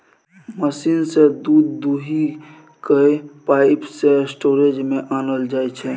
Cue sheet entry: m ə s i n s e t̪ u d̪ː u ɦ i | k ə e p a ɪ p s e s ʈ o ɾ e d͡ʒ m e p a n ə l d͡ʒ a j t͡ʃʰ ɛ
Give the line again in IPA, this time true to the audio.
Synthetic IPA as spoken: m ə s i n s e d̪ u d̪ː u ɦ i | k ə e p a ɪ p s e s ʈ o ɾ e d͡ʒ m e ʔ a n ə l d͡ʒ a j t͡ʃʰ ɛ

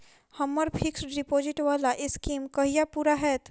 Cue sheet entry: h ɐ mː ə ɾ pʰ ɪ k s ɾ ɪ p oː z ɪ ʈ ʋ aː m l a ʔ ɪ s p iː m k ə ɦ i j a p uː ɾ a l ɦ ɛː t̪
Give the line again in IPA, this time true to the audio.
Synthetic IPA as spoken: h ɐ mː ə ɾ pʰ ɪ k s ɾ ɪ p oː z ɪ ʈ ʋ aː l a ʔ ɪ s k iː m k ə ɦ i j a p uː ɾ a ɦ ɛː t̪

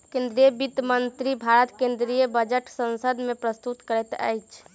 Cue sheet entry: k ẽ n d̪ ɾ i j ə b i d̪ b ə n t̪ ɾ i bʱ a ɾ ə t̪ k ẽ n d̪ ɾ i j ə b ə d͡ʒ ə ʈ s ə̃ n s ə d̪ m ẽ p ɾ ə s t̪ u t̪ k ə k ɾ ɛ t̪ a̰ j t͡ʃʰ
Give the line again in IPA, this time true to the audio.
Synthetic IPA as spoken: k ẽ n d̪ ɾ i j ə b i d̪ m ə n t̪ ɾ i bʱ a ɾ ə t̪ k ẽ n d̪ ɾ i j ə b ə d͡ʒ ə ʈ s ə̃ n s ə d̪ m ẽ p ɾ ə s t̪ u t̪ k ə ɾ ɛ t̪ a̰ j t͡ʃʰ

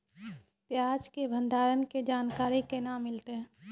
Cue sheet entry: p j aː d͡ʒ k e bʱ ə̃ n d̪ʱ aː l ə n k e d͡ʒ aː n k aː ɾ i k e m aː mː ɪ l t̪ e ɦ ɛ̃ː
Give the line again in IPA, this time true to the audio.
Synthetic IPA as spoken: p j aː d͡ʒ k e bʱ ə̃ n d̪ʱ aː ɾ ə n k e d͡ʒ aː n k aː ɾ i k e n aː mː ɪ l t̪ e ɦ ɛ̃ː

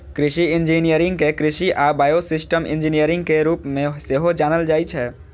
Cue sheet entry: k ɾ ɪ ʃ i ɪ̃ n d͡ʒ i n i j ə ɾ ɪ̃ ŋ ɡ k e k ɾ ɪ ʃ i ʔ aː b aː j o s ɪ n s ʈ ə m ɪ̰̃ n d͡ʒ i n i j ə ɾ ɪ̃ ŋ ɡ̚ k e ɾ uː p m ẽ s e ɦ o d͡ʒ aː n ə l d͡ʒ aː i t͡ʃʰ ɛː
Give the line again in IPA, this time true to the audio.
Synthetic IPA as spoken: k ɾ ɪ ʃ i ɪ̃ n d͡ʒ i n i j ə ɾ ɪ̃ ŋ ɡ k e k ɾ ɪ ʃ i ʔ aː b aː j o s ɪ s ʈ ə m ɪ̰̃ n d͡ʒ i n i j ə ɾ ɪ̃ ŋ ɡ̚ k e ɾ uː p m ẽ s e ɦ o d͡ʒ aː n ə l d͡ʒ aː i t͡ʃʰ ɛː

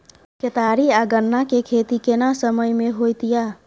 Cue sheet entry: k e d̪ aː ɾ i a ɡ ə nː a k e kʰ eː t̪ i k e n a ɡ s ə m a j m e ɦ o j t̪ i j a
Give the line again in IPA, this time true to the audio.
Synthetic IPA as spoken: k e t̪ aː ɾ i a ɡ ə nː a k e kʰ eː t̪ i k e n a s ə m ə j m e ɦ o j t̪ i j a

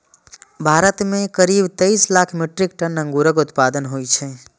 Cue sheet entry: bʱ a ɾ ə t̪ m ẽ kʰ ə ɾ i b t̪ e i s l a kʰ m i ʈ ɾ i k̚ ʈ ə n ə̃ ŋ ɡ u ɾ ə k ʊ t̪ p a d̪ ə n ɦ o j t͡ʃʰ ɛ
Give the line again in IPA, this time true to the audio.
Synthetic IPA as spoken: bʱ a ɾ ə t̪ m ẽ k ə ɾ i b t̪ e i s l a kʰ m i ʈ ɾ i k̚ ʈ ə n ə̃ ŋ ɡ u ɾ ə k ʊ t̪ p a d̪ ə n ɦ o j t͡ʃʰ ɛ

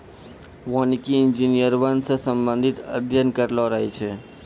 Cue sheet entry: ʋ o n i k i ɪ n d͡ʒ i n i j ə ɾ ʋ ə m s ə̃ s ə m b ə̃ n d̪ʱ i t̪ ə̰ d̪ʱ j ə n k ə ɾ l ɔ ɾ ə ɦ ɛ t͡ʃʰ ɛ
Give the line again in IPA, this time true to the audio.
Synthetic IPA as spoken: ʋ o n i k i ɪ n d͡ʒ i n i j ə ɾ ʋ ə n s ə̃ s ə m b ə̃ n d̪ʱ i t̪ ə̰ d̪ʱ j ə n k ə ɾ l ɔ ɾ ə ɦ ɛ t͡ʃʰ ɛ

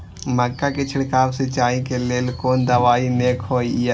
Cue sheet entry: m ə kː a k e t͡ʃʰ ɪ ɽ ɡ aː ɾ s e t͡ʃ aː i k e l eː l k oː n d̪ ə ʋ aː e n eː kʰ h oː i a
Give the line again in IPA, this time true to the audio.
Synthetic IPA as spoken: m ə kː a k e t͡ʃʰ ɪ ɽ k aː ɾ s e t͡ʃ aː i k e l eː l k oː n d̪ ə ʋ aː i n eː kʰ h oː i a

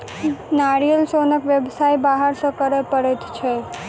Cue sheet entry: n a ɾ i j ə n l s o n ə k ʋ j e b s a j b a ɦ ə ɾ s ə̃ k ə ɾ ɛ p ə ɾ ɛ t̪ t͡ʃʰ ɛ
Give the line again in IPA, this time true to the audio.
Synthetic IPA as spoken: n a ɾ i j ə l s o n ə k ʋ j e b s a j b a ɦ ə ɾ s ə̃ k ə ɾ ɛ p ə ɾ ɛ t̪ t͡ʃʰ ɛ

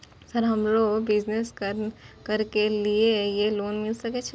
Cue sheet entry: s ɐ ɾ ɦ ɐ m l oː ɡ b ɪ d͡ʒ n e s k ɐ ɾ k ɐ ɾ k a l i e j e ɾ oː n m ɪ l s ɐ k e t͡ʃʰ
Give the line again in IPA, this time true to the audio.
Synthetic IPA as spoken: s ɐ ɾ ɦ ɐ m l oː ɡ b ɪ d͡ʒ n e s k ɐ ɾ k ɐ ɾ k e l i e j e l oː n m ɪ l s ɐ k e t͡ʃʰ

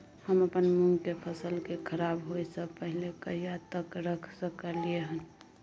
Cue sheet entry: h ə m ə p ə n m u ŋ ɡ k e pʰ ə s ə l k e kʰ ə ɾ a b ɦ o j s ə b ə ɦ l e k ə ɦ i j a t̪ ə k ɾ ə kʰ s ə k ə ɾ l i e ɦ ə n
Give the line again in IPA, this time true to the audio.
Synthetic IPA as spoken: h ə m ə p ə n m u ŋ ɡ k e pʰ ə s ə l k e kʰ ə ɾ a b ɦ o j s ə p ə ɦ l e k ə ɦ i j a t̪ ə k ɾ ə kʰ s ə k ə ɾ l i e ɦ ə n

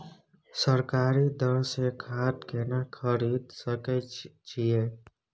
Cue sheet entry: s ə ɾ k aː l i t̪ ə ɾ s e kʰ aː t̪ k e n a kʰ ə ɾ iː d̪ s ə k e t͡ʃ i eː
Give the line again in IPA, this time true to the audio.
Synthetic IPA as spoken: s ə ɾ k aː ɾ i d̪ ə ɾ s e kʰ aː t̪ k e n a kʰ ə ɾ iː d̪ s ə k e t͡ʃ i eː

